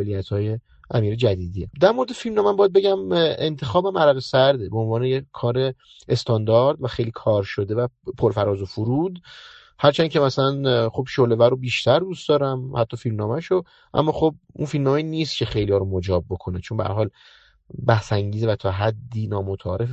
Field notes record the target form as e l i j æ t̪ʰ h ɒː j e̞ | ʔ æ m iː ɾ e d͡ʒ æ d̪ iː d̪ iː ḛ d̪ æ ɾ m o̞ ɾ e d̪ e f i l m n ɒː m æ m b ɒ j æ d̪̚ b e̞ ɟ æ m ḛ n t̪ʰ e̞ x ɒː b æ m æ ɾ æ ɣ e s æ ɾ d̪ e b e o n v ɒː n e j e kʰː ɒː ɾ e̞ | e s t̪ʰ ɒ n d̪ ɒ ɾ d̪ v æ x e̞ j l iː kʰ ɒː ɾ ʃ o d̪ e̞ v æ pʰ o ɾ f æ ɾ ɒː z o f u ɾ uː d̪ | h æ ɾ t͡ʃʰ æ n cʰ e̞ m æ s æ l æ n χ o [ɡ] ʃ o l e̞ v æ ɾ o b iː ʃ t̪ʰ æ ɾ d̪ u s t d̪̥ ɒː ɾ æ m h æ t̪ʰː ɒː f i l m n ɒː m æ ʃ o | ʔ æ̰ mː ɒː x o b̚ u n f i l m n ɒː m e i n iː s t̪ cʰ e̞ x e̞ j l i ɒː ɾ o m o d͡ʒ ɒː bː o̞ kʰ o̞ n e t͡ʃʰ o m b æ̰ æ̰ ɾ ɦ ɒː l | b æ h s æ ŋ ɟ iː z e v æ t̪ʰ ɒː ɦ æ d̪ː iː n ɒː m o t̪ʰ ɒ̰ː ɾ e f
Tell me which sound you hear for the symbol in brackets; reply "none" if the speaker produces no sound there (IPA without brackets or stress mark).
b